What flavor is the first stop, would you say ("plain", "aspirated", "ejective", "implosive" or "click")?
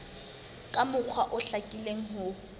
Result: ejective